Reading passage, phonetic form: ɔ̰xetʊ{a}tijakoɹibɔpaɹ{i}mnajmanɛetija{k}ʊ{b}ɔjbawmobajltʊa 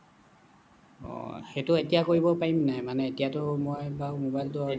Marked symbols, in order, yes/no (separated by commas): no, yes, no, no